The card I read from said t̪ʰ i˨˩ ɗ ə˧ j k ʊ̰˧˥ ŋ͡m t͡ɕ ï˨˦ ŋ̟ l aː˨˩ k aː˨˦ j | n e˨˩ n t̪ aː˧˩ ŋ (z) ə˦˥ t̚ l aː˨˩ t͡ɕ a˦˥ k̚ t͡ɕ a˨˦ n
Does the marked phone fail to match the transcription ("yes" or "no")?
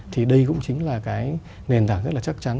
no